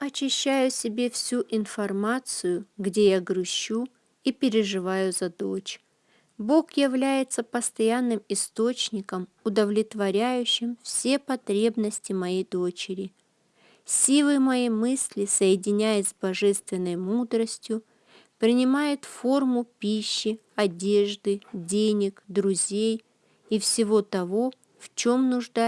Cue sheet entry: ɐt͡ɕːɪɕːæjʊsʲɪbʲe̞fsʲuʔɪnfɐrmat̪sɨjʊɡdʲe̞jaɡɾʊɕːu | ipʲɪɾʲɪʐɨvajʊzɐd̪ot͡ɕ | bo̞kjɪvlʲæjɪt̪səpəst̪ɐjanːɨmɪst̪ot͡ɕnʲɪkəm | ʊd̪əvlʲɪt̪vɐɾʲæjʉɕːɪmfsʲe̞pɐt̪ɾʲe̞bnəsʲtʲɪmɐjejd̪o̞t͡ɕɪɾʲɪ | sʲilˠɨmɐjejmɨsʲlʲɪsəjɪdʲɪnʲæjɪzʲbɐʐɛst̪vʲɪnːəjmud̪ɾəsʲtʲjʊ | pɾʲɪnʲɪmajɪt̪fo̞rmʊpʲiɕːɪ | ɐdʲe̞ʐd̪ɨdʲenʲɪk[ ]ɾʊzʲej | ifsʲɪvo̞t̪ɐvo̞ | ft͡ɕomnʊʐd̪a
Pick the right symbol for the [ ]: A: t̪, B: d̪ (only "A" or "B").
B